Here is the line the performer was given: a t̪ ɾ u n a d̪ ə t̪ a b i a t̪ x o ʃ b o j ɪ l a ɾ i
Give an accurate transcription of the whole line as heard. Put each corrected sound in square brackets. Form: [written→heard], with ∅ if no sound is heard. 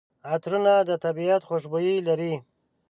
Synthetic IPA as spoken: a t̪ ɾ u n a d̪ ə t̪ a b i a t̪ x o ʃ b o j [ɪ→i] l a ɾ i

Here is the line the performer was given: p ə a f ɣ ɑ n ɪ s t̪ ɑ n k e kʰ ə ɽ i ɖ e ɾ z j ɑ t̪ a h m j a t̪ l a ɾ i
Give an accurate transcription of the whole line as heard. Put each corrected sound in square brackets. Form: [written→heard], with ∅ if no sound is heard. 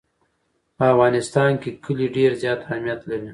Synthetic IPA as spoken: p ə a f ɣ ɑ n ɪ s t̪ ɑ n k e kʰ ə [ɽ→l] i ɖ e ɾ z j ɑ t̪ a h m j a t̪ l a ɾ i

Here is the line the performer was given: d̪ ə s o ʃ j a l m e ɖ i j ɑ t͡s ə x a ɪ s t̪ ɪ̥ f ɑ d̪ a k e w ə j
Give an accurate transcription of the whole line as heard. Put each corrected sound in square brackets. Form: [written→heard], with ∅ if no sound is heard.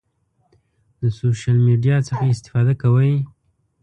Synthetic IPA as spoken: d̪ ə s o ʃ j a l m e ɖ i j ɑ t͡s ə x a ɪ s t̪ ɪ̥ f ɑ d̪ a k [e→a] w ə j

